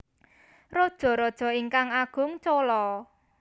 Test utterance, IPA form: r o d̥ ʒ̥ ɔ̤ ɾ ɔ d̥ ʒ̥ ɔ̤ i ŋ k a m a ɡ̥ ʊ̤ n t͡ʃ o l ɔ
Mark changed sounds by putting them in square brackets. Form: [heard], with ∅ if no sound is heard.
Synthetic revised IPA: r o d̥ ʒ̥ ɔ̤ ɾ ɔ d̥ ʒ̥ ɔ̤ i ŋ k a [ŋ] a ɡ̥ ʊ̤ [ŋ] t͡ʃ o l ɔ